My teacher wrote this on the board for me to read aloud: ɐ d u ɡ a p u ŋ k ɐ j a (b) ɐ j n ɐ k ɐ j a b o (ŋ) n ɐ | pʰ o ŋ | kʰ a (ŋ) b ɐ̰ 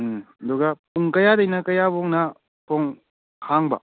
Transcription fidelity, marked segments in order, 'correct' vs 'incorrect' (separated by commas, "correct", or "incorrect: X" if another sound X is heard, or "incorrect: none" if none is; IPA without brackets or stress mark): incorrect: d, correct, correct